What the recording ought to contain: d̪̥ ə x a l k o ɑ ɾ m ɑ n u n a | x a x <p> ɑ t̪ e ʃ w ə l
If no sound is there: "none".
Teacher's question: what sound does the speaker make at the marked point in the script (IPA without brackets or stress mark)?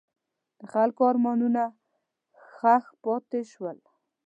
p